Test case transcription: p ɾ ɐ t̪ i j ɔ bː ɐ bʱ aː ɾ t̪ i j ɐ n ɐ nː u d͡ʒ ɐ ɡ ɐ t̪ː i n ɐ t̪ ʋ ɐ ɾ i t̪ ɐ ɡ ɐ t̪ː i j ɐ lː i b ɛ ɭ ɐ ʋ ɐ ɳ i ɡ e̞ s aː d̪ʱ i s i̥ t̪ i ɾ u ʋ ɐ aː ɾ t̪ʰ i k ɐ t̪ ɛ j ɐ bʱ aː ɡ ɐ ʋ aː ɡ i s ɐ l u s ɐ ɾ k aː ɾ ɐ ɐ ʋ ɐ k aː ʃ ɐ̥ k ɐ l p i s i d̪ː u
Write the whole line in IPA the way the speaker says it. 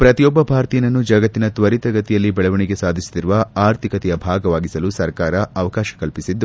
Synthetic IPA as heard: p ɾ ɐ t̪ i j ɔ bː ɐ bʱ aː ɾ t̪ i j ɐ n ɐ nː u d͡ʒ ɐ ɡ ɐ t̪ː i n ɐ t̪ ʋ ɐ ɾ i t̪ ɐ ɡ ɐ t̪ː i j ɐ lː i b ɛ ɭ ɐ ʋ ɐ ɳ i ɡ e̞ s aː d̪ʱ i s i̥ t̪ i ɾ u ʋ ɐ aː ɾ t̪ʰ i k ɐ t̪ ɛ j ɐ bʱ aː ɡ ɐ ʋ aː ɡ i s ɐ l u s ɐ ɾ k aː ɾ ɐ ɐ ʋ ɐ k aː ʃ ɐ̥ k ɐ l p i s i d̪ː u